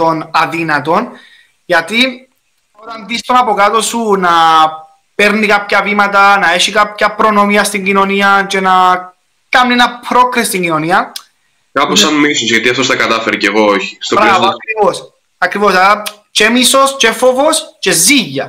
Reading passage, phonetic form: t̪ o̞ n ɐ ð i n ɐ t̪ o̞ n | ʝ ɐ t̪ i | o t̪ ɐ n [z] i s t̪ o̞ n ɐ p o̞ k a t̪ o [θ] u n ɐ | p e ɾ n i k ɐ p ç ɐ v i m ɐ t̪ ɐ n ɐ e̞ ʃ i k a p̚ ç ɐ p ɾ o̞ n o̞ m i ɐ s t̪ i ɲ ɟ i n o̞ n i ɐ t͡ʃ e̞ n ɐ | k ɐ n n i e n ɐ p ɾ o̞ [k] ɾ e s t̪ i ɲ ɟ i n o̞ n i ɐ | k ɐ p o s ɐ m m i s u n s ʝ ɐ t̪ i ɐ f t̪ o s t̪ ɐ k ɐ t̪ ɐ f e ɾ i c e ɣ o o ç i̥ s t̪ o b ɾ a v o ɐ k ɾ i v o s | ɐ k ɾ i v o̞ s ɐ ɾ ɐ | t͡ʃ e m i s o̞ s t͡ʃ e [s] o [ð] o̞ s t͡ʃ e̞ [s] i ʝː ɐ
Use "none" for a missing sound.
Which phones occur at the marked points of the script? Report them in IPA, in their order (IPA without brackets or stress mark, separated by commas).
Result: ð, s, k, f, v, z